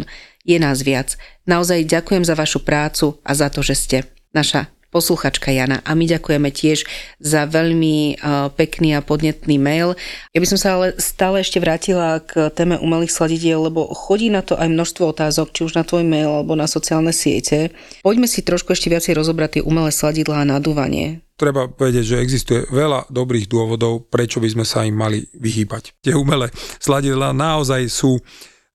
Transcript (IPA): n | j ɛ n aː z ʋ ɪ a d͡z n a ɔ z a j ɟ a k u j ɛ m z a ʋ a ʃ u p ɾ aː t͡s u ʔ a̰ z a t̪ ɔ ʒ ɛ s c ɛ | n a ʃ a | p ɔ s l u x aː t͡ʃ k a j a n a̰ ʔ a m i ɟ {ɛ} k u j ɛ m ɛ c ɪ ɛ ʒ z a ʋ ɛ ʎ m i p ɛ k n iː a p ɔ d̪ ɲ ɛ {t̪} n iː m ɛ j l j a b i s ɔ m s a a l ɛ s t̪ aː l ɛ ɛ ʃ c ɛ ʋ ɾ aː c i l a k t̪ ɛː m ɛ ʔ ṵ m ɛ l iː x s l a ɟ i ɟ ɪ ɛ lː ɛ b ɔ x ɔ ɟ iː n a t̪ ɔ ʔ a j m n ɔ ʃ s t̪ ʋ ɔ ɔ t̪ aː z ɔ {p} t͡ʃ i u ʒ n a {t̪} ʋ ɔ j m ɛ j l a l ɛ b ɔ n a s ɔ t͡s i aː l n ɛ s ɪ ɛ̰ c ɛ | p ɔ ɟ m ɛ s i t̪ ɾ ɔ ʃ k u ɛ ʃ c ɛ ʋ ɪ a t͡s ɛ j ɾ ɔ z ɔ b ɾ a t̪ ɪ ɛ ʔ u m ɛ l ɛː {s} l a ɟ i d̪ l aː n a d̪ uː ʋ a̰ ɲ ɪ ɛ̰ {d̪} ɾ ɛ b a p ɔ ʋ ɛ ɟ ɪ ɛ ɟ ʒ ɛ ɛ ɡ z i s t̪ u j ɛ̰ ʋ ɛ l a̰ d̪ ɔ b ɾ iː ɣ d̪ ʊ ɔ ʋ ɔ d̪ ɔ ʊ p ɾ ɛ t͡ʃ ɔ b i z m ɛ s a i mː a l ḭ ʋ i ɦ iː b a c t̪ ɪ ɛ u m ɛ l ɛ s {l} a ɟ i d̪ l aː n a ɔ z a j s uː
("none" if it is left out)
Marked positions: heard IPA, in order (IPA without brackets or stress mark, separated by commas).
a, t̪, k, t̪, s, t̪, l